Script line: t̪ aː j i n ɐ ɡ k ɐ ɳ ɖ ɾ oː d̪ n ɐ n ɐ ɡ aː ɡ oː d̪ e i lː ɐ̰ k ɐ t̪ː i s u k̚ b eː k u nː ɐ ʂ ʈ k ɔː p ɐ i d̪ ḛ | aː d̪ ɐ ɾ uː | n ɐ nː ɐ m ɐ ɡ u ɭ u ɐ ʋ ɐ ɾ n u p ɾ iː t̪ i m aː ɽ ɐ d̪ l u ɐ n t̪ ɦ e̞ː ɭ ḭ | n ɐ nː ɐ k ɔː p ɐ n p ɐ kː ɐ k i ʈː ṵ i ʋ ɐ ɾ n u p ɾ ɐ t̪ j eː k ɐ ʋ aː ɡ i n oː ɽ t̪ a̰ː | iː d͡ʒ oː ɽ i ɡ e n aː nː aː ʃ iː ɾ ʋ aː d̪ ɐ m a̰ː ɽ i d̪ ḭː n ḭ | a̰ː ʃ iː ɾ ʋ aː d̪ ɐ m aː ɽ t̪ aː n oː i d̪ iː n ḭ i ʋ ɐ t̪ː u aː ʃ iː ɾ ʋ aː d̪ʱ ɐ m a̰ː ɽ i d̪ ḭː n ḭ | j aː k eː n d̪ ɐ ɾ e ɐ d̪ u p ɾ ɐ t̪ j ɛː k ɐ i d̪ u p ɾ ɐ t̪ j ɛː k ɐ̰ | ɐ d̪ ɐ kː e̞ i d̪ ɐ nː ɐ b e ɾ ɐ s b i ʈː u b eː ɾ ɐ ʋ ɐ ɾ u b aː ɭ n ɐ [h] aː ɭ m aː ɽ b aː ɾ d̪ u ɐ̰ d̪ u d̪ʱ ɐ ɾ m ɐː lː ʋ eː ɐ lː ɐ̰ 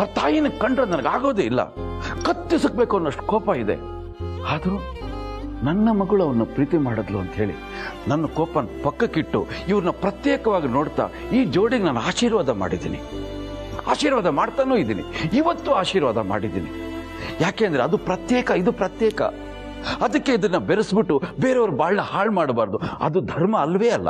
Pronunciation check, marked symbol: correct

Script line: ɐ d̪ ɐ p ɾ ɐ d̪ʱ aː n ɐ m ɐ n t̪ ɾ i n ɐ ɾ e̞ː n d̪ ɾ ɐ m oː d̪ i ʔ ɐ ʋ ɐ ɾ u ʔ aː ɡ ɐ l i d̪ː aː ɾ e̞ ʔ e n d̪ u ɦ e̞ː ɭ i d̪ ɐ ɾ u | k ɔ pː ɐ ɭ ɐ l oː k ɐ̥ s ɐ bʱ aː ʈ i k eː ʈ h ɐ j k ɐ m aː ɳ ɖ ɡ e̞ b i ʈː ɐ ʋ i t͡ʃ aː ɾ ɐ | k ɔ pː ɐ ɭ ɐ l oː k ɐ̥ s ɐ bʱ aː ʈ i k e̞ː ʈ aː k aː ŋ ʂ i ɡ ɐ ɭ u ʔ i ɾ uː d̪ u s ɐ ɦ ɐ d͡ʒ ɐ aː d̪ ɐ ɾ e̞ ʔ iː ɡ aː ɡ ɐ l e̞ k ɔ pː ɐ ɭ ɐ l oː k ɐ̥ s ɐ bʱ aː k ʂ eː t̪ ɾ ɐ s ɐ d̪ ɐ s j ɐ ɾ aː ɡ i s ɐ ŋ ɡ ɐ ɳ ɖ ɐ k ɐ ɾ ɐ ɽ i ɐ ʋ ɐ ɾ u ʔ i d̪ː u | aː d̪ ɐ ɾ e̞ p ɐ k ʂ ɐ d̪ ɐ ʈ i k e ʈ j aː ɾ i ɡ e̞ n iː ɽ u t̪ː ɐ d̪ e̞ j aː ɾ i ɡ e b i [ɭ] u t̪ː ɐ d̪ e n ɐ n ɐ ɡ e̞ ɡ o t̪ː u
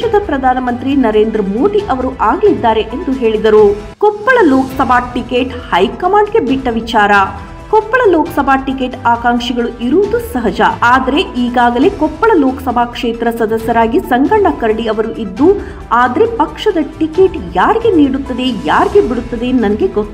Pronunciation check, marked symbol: incorrect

